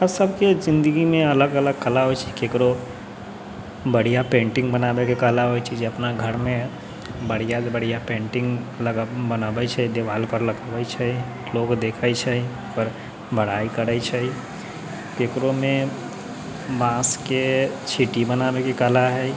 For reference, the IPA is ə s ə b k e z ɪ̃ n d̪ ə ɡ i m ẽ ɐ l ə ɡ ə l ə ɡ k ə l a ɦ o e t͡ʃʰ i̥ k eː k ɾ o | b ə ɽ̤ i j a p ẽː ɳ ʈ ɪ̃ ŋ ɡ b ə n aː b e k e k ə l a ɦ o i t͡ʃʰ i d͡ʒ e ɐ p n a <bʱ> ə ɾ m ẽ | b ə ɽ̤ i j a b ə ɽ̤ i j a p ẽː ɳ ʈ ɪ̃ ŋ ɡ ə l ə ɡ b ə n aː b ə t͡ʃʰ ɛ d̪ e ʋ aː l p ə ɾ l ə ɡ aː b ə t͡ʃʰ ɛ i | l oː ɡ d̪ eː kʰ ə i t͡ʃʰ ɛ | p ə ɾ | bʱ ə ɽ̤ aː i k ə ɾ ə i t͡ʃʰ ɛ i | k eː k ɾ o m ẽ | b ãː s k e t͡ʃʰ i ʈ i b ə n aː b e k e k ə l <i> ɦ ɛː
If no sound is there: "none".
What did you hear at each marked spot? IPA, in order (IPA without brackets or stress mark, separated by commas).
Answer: ɡʱ, a